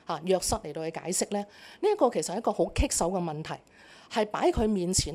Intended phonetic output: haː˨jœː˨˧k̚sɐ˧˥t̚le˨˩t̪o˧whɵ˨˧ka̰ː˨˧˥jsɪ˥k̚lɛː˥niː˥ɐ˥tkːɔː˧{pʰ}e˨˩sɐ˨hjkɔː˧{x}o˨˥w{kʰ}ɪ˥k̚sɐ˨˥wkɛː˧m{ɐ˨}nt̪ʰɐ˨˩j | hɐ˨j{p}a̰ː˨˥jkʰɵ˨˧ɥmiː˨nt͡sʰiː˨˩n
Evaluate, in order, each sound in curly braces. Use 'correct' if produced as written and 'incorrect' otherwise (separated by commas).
incorrect, incorrect, correct, correct, correct